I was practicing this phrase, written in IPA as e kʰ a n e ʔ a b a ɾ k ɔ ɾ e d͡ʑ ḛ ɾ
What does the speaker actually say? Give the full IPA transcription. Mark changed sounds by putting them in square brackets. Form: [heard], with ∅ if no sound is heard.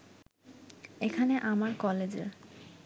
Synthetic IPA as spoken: e kʰ a n e ʔ a [m] a ɾ k ɔ [l] e d͡ʑ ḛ ɾ

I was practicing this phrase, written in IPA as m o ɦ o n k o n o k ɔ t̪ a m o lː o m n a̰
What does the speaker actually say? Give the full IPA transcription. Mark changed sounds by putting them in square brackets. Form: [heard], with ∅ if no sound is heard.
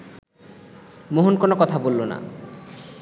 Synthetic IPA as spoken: m o ɦ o n k o n o k ɔ [t̪ʰ] a [b] o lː o [∅] n a̰

